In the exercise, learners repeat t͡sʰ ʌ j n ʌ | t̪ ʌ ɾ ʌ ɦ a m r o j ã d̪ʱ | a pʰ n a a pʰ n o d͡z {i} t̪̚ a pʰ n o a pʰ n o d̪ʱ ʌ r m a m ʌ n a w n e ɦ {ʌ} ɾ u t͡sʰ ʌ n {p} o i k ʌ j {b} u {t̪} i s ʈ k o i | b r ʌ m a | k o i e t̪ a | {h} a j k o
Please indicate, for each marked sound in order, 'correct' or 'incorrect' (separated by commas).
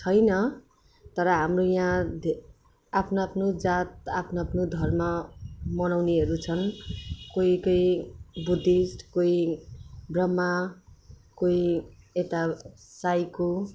incorrect, correct, incorrect, correct, incorrect, incorrect